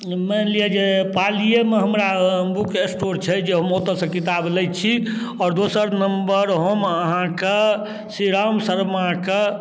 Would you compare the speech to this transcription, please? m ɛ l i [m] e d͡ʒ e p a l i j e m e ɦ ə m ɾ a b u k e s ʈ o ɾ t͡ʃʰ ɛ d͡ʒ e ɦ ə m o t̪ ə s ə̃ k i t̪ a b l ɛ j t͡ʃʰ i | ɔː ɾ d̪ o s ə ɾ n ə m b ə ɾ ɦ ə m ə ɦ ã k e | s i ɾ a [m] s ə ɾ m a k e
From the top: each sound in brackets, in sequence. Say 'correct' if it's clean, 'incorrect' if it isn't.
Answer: incorrect, correct

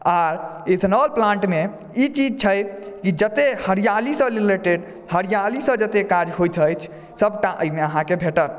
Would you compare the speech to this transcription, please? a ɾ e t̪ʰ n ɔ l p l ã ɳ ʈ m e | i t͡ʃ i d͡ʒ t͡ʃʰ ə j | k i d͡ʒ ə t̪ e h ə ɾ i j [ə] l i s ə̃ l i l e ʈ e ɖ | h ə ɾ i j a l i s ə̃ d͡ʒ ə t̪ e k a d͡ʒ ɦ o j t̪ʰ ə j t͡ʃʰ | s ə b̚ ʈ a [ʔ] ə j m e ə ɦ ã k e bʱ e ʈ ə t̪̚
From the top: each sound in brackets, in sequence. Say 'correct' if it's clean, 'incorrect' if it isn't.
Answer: incorrect, correct

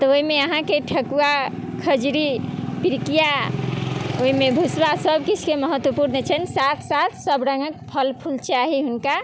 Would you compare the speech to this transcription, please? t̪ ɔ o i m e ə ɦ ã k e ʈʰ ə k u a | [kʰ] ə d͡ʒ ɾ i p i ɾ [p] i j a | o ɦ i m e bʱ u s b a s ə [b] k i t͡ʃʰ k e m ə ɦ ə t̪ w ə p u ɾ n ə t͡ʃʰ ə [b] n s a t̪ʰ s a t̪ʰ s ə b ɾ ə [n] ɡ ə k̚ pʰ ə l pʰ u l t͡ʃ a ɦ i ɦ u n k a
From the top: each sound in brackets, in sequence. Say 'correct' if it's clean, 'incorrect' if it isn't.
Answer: correct, incorrect, correct, incorrect, incorrect

